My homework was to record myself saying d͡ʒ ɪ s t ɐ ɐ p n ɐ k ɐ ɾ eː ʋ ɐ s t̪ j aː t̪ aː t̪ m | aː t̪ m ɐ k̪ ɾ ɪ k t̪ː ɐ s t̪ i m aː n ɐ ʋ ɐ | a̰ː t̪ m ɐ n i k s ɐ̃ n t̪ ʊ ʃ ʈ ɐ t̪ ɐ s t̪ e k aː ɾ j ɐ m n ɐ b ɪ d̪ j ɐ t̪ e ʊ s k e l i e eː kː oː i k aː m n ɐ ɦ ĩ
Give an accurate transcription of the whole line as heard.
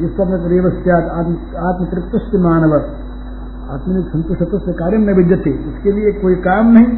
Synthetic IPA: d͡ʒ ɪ s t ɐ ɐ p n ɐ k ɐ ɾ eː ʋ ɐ s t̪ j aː t̪ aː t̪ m | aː t̪ m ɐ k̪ ɾ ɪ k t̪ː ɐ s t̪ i m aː n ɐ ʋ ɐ | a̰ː t̪ m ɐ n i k s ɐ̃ n t̪ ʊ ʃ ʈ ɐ t̪ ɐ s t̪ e k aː ɾ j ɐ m n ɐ b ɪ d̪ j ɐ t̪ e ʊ s k e l i e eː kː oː i k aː m n ɐ ɦ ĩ